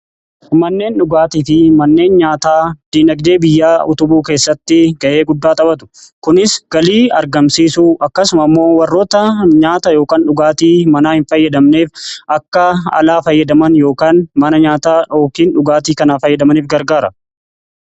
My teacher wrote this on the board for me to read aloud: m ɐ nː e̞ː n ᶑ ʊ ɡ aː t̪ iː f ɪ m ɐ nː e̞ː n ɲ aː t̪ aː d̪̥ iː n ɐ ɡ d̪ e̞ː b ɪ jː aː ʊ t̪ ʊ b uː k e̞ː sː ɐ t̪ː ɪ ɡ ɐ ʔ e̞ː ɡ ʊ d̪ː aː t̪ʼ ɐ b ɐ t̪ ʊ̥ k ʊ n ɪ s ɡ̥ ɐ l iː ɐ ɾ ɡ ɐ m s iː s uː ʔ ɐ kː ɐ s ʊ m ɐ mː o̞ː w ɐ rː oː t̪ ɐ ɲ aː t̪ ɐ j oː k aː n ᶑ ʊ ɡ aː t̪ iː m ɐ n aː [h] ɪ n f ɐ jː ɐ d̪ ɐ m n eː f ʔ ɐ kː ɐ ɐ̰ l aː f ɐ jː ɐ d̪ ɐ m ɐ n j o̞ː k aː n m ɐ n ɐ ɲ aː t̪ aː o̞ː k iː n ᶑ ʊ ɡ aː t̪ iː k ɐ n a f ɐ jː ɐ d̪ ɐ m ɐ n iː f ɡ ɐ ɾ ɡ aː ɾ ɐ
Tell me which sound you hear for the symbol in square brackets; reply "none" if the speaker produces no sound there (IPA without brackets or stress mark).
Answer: h